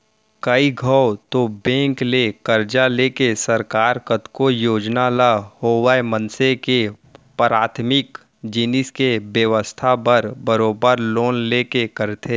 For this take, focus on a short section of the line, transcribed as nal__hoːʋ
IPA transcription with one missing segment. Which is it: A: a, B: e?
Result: A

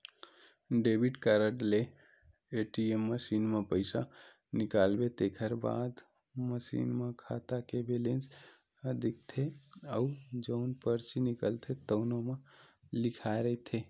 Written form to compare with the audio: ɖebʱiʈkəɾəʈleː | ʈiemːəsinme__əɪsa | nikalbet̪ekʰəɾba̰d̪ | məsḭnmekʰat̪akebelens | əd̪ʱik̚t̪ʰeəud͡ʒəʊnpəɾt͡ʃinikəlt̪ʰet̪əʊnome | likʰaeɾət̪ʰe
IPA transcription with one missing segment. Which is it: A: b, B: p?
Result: B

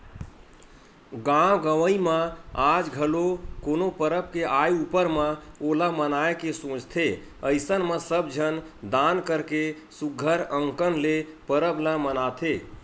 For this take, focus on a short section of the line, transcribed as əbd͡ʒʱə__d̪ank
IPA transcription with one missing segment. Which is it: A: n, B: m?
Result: A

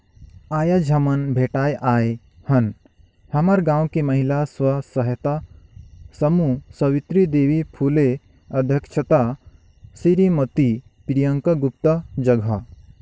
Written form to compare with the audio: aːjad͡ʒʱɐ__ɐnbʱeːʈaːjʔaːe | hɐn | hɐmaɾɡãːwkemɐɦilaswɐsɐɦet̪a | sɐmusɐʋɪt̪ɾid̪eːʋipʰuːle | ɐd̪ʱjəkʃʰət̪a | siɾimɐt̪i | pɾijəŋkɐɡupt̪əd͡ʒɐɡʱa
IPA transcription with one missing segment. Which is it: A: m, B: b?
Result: A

